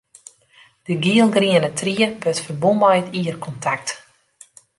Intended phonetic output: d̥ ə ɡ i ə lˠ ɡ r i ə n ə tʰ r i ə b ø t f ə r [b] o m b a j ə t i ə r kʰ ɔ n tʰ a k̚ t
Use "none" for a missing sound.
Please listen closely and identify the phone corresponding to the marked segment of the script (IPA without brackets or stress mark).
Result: b